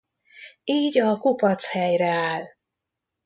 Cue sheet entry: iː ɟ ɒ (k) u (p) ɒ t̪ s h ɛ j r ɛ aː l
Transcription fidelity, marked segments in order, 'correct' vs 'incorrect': correct, correct

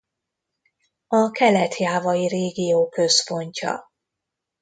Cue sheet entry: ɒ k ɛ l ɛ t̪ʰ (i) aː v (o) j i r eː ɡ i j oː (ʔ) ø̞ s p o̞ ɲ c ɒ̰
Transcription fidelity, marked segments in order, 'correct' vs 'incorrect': incorrect, incorrect, incorrect

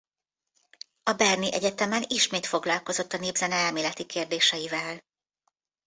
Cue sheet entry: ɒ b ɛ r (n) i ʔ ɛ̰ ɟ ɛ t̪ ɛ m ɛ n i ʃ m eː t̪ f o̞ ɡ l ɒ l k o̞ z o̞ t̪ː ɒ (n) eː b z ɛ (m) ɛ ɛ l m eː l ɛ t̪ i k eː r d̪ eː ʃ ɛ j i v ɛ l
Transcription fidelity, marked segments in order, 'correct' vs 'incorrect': correct, correct, incorrect

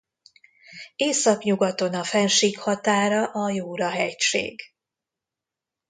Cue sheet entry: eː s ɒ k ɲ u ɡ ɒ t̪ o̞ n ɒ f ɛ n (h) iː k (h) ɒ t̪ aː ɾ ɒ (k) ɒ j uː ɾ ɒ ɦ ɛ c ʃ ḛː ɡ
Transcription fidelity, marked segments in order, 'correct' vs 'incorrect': incorrect, correct, incorrect

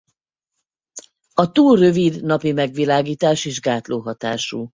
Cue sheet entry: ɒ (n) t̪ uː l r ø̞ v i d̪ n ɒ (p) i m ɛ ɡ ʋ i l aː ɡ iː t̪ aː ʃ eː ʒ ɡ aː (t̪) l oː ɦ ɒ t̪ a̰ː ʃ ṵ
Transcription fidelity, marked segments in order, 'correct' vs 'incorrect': incorrect, correct, correct

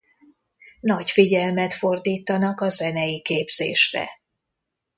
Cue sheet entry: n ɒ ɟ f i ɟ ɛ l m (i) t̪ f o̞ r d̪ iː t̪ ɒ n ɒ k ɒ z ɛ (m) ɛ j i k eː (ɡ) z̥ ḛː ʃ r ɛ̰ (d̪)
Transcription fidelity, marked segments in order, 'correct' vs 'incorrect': incorrect, incorrect, incorrect, incorrect

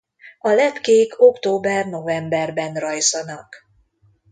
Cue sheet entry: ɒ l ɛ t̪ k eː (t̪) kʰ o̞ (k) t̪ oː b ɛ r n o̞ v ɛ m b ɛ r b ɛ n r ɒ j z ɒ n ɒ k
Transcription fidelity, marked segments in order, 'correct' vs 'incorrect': incorrect, correct

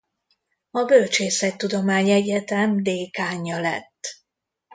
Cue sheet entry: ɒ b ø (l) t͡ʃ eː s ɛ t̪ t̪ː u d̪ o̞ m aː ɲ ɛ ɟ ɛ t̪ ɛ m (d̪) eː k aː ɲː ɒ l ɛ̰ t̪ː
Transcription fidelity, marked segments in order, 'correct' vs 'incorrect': correct, correct

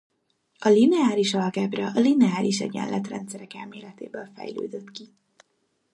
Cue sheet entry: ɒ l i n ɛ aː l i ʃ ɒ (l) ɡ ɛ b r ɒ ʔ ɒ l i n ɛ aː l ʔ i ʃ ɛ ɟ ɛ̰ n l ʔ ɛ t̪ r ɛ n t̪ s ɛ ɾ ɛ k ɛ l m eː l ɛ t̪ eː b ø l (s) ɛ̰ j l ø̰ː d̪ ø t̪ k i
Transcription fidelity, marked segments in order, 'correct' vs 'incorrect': correct, incorrect

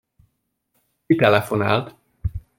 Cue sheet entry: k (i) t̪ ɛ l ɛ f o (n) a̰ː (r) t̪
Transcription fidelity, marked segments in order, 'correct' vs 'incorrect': correct, correct, incorrect

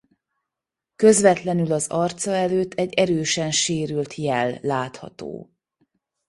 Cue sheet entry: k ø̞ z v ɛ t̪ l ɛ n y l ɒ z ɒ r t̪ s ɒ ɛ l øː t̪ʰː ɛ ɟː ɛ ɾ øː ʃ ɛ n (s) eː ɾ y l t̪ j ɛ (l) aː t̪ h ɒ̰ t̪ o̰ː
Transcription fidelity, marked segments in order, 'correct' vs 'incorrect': incorrect, incorrect

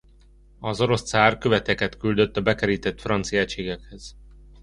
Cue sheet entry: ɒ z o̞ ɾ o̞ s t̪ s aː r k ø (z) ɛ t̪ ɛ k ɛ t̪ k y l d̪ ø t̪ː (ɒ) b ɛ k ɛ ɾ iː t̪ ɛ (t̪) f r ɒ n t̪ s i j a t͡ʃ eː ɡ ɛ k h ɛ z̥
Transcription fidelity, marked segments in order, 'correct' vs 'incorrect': incorrect, correct, correct

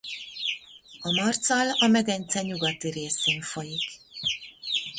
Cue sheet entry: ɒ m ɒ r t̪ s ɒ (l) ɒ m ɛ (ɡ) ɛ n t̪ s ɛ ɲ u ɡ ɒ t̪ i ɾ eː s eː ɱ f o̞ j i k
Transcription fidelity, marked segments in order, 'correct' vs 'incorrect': correct, correct

